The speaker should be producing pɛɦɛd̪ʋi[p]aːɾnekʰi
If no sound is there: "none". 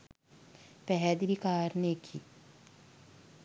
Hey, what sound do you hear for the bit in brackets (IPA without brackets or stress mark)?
k